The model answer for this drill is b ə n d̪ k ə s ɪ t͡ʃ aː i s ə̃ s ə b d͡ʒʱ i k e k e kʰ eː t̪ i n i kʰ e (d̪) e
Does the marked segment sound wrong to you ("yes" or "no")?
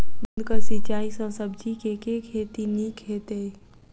yes